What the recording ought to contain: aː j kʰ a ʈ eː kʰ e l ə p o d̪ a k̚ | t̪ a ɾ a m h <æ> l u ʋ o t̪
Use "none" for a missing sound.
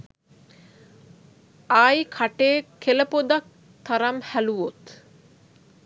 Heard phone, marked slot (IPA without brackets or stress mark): æ